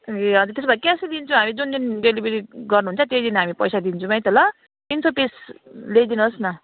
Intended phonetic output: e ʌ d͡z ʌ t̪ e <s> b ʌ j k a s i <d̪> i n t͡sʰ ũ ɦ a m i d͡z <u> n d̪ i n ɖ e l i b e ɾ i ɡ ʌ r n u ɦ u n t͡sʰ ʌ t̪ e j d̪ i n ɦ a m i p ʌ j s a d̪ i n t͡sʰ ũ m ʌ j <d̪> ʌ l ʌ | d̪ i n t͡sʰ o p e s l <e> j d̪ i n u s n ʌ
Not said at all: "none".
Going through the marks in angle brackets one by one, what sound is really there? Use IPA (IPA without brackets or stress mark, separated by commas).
s, d̪, u, t̪, e